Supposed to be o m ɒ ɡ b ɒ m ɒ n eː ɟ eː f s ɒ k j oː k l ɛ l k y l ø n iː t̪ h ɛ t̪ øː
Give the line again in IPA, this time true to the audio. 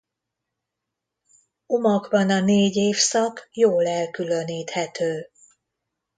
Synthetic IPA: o m ɒ ɡ b ɒ n ɒ n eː ɟ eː f s ɒ k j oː l ɛ l k y l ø n iː t̪ h ɛ t̪ øː

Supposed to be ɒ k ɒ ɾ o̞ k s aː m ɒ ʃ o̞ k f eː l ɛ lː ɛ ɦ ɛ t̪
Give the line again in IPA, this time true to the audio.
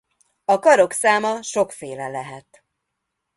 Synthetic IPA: ɒ k ɒ ɾ o̞ k s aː m ɒ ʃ o̞ k f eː l ɛ l ɛ ɦ ɛ t̪

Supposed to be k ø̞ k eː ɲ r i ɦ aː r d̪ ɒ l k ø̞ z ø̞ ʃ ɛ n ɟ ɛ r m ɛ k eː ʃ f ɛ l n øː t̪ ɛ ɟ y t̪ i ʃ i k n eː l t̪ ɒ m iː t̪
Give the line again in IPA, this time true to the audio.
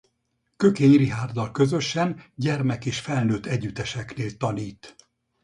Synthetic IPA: k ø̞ k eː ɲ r i ɦ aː r d̪ ɒ l k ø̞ z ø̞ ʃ ɛ n ɟ ɛ r m ɛ k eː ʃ f ɛ l n øː t̪ ɛ ɟ y t̪ ɛ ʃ ɛ k n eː l t̪ ɒ n iː t̪

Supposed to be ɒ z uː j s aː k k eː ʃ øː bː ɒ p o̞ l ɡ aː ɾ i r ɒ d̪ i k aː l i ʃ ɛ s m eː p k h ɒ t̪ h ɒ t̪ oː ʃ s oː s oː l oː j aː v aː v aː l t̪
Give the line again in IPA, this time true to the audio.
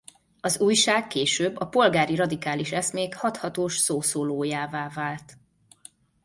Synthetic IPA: ɒ z uː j ʃ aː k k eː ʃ øː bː ɒ p o̞ l ɡ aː ɾ i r ɒ d̪ i k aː l i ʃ ɛ s m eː k h ɒ t̪ h ɒ t̪ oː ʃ s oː s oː l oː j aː v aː v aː l t̪

